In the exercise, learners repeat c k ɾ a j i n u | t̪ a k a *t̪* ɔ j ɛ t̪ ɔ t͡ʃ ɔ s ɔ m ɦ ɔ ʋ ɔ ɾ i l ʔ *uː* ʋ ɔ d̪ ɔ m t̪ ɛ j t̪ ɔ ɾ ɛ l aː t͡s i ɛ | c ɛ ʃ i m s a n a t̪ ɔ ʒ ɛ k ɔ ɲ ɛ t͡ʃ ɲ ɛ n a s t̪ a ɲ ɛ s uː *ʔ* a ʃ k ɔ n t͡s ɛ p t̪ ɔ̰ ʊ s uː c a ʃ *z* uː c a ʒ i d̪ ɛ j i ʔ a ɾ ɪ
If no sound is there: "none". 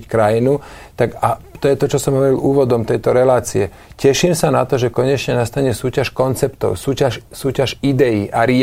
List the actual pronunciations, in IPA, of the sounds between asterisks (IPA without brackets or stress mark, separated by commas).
t̪, uː, c, s